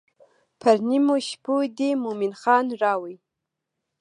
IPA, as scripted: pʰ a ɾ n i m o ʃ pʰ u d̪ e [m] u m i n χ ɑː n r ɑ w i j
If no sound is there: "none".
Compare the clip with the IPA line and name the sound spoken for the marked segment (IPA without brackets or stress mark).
m